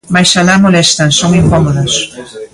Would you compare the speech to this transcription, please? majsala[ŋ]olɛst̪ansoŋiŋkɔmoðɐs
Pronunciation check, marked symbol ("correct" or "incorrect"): incorrect